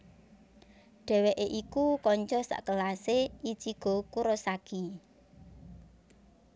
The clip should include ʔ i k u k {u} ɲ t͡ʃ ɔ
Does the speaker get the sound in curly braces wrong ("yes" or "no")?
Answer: yes